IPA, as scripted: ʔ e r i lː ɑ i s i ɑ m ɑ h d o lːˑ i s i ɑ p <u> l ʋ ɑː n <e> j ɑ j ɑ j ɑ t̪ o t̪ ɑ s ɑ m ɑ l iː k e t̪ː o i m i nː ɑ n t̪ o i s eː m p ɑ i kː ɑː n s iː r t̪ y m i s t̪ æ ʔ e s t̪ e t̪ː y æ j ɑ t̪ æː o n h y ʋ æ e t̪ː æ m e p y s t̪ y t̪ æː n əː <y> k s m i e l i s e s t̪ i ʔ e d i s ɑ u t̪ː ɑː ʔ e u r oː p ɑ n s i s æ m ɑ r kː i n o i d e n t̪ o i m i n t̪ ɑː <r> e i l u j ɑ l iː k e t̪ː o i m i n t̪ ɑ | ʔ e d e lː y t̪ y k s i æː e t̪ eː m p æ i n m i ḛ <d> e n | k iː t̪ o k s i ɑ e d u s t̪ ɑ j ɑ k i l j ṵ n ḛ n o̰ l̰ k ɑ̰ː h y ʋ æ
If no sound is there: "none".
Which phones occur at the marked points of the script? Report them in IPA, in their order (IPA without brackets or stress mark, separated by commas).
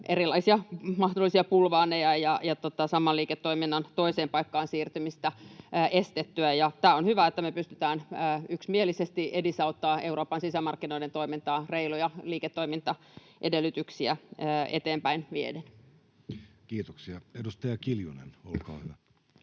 u, e, y, r, d